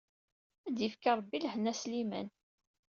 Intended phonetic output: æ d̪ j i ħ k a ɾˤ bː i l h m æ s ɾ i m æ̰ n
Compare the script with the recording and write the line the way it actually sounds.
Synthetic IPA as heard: æ d̪ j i f k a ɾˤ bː i l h n æ s l i m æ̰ n